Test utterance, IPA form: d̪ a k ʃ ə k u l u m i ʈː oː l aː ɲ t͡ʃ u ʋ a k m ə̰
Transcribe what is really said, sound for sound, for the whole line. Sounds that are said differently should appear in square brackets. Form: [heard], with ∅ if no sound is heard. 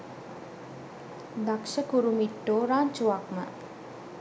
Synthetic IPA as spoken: d̪ a k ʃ ə k u [ɾ] u m i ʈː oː [ɾ] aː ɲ t͡ʃ u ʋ a k m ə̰